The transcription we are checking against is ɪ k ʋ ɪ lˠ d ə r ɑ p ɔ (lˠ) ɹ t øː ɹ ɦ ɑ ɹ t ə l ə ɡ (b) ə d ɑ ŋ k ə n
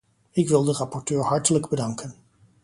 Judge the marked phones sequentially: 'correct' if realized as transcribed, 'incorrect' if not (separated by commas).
incorrect, correct